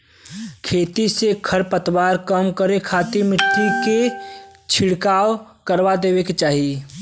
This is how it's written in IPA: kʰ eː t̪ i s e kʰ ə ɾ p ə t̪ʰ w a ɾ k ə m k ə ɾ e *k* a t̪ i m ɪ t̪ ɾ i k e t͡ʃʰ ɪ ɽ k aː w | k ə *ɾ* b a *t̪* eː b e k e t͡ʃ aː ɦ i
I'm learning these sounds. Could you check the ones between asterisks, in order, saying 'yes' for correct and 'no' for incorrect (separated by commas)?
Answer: no, yes, no